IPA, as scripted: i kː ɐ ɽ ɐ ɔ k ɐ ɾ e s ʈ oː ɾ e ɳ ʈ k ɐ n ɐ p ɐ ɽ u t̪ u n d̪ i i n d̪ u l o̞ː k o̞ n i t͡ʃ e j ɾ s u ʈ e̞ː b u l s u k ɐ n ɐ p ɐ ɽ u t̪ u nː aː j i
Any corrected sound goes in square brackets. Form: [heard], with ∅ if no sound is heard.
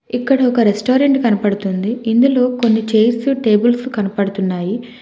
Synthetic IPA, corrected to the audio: i kː ɐ ɽ ɐ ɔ k ɐ ɾ e s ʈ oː ɾ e ɳ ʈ k ɐ n ɐ p ɐ ɽ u t̪ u n d̪ i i n d̪ u l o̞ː k o̞ [nː] i t͡ʃ e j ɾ s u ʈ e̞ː b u l s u k ɐ n ɐ p ɐ ɽ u t̪ u nː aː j i